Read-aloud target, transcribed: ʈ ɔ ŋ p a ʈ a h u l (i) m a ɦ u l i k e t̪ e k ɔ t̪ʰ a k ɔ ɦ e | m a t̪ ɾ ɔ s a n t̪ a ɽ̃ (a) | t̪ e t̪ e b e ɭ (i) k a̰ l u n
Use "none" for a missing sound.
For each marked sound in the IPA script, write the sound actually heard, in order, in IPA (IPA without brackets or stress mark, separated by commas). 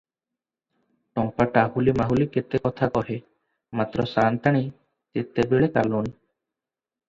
i, i, e